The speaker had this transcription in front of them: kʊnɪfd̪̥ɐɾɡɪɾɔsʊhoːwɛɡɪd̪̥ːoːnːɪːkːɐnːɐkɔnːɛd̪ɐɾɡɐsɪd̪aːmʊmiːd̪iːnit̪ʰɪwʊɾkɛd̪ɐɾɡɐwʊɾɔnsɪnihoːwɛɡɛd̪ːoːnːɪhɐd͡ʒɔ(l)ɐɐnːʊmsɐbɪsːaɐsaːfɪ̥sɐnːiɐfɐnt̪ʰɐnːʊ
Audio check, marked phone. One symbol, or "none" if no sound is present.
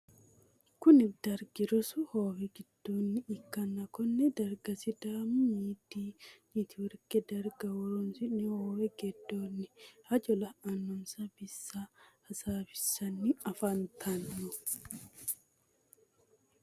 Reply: l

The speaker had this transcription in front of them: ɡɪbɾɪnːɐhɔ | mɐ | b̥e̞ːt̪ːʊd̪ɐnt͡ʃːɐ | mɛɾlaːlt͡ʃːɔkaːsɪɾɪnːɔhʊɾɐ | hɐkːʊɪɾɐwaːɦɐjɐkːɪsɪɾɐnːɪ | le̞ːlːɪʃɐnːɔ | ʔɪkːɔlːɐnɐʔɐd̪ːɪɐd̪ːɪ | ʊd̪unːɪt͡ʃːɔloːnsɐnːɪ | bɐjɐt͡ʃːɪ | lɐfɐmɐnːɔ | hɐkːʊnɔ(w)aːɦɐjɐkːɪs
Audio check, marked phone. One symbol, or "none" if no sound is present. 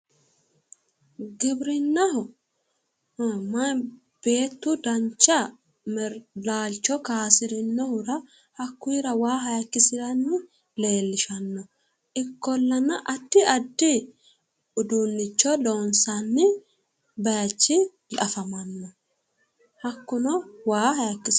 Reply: w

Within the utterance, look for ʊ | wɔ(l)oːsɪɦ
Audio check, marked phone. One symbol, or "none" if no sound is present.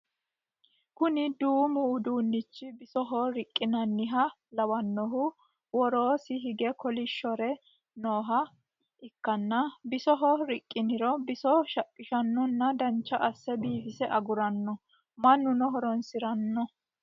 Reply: ɾ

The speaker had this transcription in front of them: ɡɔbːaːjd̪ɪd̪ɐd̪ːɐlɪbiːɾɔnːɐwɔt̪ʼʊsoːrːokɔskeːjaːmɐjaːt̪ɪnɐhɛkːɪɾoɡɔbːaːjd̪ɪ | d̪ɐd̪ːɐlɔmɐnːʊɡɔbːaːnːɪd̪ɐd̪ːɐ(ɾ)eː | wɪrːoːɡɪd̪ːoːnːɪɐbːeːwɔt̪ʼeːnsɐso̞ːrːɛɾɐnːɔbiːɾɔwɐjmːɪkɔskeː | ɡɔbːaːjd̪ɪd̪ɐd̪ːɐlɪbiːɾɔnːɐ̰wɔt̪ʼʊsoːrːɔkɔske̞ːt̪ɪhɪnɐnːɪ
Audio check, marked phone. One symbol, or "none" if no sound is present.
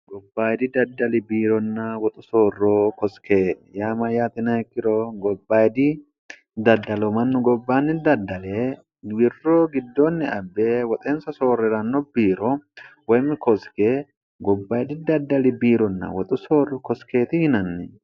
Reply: l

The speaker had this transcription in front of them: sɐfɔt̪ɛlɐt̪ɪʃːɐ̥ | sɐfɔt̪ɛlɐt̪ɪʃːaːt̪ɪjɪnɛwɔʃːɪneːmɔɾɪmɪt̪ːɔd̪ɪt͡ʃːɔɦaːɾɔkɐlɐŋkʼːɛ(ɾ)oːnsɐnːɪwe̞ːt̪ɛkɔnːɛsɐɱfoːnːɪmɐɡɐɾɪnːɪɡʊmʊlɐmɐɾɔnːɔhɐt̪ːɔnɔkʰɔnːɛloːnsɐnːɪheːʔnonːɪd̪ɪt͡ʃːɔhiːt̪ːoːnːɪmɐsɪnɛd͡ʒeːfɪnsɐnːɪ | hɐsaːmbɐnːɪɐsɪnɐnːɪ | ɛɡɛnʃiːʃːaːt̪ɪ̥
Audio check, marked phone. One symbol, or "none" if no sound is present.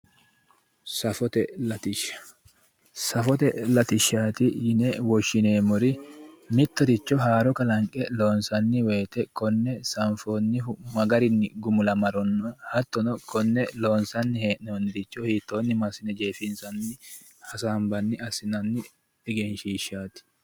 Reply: l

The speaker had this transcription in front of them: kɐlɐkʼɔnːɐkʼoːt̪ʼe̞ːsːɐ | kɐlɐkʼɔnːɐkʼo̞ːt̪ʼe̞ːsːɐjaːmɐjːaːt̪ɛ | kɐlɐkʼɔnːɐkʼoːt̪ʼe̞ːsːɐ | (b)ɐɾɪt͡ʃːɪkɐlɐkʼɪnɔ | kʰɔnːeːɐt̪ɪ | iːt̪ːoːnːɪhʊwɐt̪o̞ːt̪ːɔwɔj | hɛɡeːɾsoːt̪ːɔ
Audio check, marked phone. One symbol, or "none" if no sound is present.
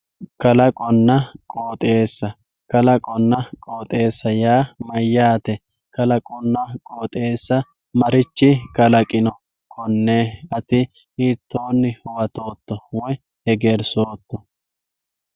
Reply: m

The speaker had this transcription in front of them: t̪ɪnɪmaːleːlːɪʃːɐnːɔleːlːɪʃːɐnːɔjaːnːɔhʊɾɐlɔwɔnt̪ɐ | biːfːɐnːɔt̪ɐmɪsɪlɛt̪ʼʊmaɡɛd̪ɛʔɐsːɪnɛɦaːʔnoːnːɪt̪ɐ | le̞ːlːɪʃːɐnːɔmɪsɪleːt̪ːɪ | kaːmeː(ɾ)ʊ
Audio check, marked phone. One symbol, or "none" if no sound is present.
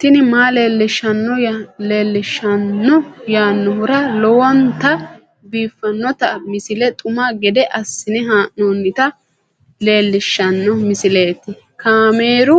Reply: ɾ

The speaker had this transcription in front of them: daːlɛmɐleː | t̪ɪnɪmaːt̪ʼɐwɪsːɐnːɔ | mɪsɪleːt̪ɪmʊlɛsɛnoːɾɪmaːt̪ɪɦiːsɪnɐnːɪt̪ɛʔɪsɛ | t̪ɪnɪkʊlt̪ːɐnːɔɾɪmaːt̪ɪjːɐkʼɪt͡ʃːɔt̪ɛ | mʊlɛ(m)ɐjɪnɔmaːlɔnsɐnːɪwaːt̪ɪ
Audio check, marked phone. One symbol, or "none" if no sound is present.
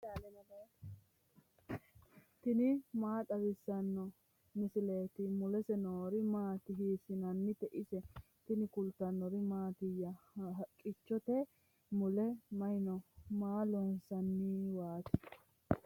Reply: m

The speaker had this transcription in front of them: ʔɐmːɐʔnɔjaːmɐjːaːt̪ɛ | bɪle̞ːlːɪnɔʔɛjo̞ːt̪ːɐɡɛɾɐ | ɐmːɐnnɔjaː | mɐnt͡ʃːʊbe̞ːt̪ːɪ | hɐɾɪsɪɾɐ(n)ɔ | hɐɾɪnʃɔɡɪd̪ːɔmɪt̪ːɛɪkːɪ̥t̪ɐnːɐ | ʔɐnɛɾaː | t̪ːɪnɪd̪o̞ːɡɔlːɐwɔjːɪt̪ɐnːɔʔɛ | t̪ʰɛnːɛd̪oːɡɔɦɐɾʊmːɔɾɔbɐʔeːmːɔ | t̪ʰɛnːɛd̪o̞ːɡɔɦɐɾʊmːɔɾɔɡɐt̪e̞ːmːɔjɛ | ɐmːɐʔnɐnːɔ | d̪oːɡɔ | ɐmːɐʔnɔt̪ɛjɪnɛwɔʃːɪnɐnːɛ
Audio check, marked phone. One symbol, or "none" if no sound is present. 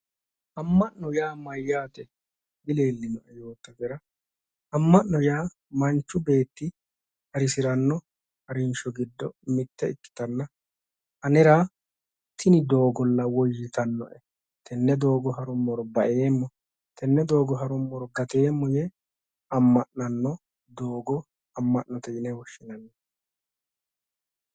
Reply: nː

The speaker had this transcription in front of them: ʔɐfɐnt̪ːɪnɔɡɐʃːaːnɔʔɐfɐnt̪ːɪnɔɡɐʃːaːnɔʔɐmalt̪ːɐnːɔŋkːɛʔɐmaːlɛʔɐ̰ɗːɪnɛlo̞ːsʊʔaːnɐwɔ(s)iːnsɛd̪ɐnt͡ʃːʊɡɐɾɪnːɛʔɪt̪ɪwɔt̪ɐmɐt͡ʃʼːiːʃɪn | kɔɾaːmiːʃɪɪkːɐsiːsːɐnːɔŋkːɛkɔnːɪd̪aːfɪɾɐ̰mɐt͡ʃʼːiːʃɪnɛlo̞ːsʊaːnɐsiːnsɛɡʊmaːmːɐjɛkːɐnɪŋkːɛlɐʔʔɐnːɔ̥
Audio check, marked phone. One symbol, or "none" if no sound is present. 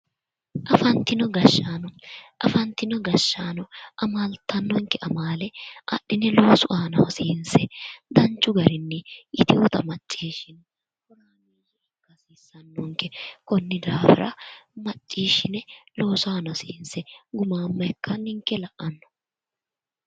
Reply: s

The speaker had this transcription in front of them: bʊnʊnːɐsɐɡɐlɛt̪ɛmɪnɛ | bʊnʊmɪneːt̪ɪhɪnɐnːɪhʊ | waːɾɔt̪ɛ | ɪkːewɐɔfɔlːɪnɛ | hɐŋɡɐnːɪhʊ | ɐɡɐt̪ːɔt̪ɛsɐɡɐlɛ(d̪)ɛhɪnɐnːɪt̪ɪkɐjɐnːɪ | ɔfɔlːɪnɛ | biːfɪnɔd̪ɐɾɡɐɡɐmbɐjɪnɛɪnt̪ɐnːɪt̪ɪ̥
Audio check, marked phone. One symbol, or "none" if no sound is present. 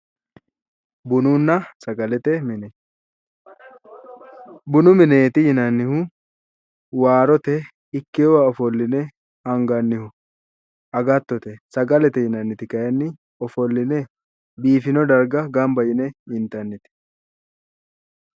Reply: t̪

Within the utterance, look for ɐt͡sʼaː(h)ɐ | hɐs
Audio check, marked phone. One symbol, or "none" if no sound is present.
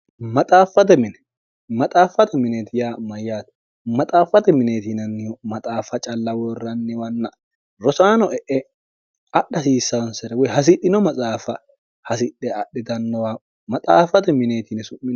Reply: f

